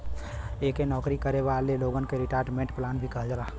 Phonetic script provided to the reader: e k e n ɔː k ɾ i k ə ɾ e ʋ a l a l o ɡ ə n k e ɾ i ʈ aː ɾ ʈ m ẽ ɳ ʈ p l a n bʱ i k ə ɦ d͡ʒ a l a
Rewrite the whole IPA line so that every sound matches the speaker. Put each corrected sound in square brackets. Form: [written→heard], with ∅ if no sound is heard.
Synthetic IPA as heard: e k e n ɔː k ɾ i k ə ɾ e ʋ a l [a→e] l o ɡ ə n k e ɾ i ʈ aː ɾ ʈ m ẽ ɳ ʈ p l a n bʱ i k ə ɦ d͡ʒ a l a